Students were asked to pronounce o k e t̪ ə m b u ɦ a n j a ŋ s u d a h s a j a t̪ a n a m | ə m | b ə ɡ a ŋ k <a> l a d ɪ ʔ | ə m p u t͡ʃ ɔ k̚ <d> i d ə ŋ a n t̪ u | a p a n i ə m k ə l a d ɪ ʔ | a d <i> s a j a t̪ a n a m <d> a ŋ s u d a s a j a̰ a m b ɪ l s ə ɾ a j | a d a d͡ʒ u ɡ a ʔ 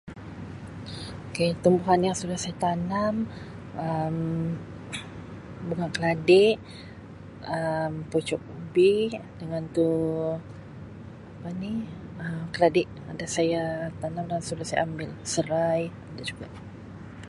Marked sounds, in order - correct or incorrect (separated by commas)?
incorrect, incorrect, incorrect, correct